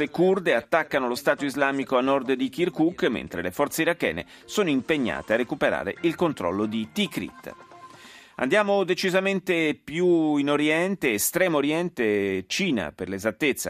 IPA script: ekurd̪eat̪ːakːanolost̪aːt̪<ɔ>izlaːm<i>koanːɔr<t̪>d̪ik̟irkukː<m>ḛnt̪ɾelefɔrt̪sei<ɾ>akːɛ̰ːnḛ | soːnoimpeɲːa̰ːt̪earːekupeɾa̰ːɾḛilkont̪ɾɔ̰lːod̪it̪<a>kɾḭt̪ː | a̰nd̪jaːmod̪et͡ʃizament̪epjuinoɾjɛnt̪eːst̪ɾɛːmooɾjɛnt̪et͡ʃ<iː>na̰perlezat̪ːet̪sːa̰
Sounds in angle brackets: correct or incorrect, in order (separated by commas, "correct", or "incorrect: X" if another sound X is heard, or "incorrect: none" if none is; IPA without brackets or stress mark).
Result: incorrect: o, correct, incorrect: d̪, correct, correct, incorrect: i, correct